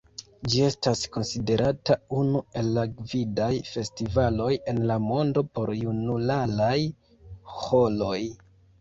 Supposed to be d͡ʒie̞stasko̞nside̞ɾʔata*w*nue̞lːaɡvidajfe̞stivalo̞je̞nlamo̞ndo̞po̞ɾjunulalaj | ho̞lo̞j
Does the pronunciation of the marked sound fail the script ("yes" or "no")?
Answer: yes